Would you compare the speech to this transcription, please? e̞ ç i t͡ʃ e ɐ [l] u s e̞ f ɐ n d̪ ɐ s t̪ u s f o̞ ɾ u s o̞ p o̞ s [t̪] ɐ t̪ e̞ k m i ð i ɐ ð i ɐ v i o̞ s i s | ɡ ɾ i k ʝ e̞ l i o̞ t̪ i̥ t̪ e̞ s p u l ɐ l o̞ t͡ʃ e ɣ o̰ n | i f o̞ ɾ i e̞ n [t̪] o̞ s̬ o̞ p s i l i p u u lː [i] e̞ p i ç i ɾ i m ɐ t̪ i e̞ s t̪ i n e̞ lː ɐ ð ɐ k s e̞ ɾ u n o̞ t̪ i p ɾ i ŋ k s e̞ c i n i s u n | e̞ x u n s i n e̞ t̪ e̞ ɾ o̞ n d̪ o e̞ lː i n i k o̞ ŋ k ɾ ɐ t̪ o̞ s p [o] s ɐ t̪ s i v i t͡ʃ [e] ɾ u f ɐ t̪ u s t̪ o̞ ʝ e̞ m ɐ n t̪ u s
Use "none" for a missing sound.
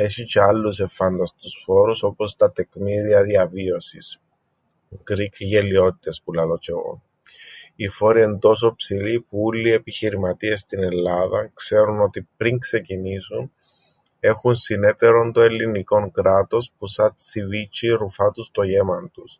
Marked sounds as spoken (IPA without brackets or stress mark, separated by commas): lː, t̪, d̪, i, u, i